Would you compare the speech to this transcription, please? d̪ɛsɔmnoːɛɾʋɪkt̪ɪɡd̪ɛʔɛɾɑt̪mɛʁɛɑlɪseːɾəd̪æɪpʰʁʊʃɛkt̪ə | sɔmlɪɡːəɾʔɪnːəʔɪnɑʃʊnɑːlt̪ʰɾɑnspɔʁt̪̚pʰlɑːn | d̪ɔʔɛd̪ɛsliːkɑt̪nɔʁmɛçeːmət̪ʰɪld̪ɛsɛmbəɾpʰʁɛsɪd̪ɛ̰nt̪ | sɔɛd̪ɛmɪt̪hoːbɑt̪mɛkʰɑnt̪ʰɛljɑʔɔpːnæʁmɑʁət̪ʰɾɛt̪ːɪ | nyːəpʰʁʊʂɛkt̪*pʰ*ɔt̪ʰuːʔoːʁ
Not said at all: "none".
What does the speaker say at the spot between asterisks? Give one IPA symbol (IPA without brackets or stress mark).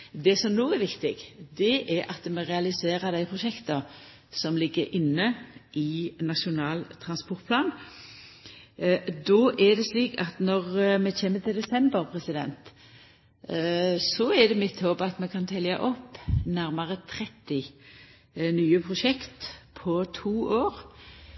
pʰ